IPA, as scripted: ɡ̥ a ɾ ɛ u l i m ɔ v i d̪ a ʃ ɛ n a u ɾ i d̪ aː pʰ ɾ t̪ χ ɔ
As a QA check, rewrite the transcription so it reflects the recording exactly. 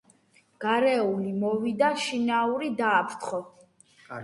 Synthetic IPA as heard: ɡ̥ a ɾ ɛ u l i m ɔ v i d̪ a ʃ i n a u ɾ i d̪ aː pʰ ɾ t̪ χ ɔ

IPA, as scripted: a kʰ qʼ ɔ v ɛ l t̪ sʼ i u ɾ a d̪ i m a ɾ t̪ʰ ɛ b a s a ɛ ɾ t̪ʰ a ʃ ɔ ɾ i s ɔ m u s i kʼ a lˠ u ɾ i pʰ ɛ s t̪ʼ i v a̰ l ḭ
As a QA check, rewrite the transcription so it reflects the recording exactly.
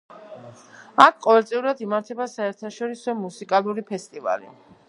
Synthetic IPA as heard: a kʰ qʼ ɔ v ɛ l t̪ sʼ i u ɾ a d̪ i m a ɾ t̪ʰ ɛ b a s a ɛ ɾ t̪ʰ a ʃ ɔ ɾ i s ɔ m u s i kʼ a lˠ u ɾ i pʰ ɛ s t̪ʼ i v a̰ l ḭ

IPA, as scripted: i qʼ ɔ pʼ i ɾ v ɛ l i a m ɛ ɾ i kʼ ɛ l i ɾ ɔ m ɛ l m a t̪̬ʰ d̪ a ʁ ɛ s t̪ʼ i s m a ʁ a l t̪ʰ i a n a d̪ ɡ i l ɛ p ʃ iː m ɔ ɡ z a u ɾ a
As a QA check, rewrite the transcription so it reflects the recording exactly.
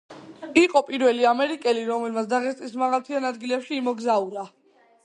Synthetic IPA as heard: i qʼ ɔ pʼ i ɾ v ɛ l i a m ɛ ɾ i kʼ ɛ l i ɾ ɔ m ɛ l m a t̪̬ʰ d̪ a ʁ ɛ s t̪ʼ i s m a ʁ a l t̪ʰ i a n a d̪ ɡ i l ɛ p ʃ iː m ɔ ɡ z a u ɾ a

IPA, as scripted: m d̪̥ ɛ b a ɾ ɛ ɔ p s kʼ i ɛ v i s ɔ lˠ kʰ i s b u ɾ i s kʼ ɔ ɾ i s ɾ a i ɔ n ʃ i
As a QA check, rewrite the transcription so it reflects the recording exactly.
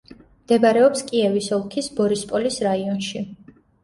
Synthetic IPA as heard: m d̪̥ ɛ b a ɾ ɛ ɔ p s kʼ i ɛ v i s ɔ lˠ kʰ i s b ɔ ɾ i s pʼ ɔ l i s ɾ a i ɔ n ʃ i

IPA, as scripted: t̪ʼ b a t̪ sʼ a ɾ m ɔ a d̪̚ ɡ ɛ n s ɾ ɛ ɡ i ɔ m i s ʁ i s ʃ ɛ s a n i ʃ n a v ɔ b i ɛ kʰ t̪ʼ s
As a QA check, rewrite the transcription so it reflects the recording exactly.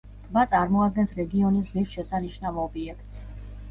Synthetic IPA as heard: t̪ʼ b a t̪ sʼ a ɾ m ɔ a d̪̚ ɡ ɛ n s ɾ ɛ ɡ i ɔ n i s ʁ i s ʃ ɛ s a n i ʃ n a v ɔ b i ɛ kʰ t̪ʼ s

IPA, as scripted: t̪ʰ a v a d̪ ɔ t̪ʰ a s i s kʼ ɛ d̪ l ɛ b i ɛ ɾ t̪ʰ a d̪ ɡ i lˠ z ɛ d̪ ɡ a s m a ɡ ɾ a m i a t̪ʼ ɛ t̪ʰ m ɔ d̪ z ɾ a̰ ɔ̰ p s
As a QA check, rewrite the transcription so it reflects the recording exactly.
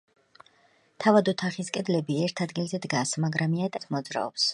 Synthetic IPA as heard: t̪ʰ a v a d̪ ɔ t̪ʰ a χ i s kʼ ɛ d̪ l ɛ b i ɛ ɾ t̪ʰ a d̪ ɡ i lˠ z ɛ d̪ ɡ a s m a ɡ ɾ a m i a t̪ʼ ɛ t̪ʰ m ɔ d̪ z ɾ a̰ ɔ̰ p s

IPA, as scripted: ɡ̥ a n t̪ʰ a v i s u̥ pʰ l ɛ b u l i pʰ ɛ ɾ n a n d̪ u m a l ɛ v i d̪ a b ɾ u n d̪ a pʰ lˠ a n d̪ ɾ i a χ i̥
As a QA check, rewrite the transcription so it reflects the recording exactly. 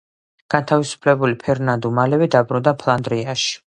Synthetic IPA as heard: ɡ̥ a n t̪ʰ a v i s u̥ pʰ l ɛ b u l i pʰ ɛ ɾ n a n d̪ u m a l ɛ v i d̪ a b ɾ u n d̪ a pʰ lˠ a n d̪ ɾ i a ʃ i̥

